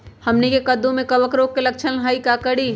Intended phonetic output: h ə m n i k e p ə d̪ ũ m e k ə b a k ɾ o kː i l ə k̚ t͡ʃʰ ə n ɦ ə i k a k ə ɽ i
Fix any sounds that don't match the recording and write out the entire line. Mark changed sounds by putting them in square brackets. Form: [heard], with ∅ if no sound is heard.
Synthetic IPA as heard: h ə m n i k e [k] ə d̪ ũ m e k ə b [ə] k ɾ o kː [e] l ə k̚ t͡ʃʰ ə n ɦ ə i k a k ə ɽ i